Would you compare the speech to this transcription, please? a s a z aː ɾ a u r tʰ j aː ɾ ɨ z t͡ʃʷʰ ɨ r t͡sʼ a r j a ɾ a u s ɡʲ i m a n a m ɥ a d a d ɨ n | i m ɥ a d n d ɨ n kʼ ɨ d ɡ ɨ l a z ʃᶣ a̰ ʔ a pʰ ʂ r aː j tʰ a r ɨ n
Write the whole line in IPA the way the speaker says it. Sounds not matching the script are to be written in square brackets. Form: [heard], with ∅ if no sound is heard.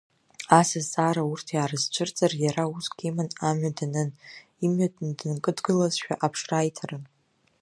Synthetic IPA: a s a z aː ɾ a u r tʰ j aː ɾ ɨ z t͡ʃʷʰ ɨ r t͡sʼ a r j a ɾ a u s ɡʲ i m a n a m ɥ a d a [n] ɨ n | i m ɥ a d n d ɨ n kʼ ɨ d ɡ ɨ l a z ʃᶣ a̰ ʔ a pʰ ʂ r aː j tʰ a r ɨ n